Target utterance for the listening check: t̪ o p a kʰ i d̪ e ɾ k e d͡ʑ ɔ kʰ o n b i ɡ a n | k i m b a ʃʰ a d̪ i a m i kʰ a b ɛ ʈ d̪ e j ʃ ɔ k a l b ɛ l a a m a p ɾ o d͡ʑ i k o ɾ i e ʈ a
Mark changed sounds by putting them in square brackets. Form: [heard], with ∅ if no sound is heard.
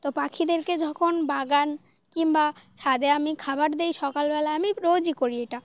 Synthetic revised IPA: t̪ o p a kʰ i d̪ e ɾ k e d͡ʑ ɔ kʰ o n b [a] ɡ a n | k i m b a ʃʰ a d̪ [e] a m i kʰ a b [a] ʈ d̪ e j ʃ ɔ k a l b ɛ l a a m [i] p ɾ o d͡ʑ i k o ɾ i e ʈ a